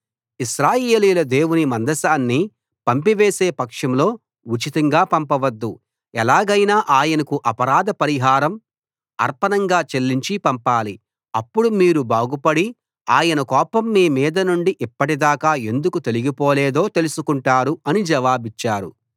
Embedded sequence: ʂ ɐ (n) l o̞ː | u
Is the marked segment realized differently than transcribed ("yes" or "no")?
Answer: yes